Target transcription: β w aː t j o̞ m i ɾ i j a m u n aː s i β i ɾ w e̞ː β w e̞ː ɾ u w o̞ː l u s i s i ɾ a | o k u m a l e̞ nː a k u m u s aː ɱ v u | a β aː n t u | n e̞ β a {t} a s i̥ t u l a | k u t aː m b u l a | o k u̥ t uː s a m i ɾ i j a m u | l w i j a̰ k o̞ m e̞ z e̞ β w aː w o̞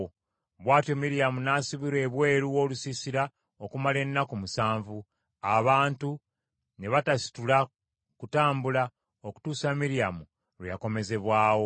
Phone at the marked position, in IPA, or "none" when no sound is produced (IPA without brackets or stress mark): t